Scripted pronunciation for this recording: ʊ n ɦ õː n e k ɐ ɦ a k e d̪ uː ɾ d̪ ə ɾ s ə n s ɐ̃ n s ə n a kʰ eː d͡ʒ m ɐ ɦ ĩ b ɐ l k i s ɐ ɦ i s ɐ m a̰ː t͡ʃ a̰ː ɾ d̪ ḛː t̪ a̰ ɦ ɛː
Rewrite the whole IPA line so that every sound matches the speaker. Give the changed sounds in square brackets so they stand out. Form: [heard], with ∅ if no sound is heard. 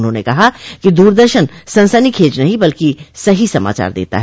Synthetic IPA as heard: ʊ n ɦ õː n e k ɐ ɦ a k [i] d̪ uː ɾ d̪ ə ɾ [ʃ] ə n s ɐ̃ n s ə n [i] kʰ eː d͡ʒ [n] ɐ ɦ ĩ b ɐ l k i s ɐ ɦ i s ɐ m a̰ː t͡ʃ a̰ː ɾ d̪ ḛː t̪ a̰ ɦ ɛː